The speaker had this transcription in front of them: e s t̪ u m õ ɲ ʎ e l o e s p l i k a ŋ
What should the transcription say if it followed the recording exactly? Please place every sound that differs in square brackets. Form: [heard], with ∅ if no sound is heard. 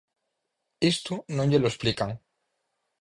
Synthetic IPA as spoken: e s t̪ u [n] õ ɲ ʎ e l o e s p l i k a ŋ